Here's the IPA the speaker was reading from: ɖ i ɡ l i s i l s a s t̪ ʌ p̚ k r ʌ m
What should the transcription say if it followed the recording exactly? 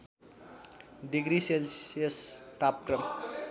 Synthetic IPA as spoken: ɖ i ɡ ɾ i s e l s e s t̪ a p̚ k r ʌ m